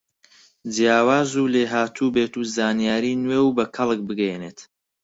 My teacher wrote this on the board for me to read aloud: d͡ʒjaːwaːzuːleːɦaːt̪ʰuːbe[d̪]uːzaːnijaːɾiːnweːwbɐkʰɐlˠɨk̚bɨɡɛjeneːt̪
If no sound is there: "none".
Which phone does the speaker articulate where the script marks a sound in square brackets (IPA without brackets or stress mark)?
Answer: t̪